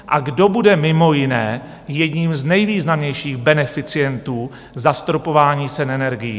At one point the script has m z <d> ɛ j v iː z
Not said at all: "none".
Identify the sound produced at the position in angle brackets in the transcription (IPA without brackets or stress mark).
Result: n